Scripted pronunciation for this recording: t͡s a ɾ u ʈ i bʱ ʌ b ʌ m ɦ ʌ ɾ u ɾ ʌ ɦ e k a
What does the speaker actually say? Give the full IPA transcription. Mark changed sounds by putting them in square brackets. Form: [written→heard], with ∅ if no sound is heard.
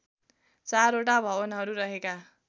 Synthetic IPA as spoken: t͡s a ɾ [u→o] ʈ [i→a] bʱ ʌ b ʌ [m→n] ɦ ʌ ɾ u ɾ ʌ ɦ e k a